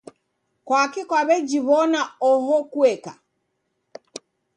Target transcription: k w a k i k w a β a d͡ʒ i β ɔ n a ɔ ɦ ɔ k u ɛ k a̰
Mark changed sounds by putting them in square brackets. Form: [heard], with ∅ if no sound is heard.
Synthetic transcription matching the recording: k w a k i k w a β [ɛ] d͡ʒ i β ɔ n a ɔ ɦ ɔ k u ɛ k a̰